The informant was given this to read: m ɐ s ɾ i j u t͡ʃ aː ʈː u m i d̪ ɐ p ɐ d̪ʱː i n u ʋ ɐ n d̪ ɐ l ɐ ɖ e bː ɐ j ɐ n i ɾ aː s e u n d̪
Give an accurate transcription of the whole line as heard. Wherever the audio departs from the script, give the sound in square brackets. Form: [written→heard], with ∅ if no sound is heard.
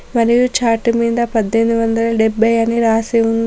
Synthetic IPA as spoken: m ɐ [s→∅] ɾ i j u t͡ʃ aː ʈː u m [i→iː] d̪ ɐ p ɐ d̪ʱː [i→e] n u ʋ ɐ n d̪ ɐ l ɐ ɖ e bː ɐ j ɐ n i ɾ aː s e u n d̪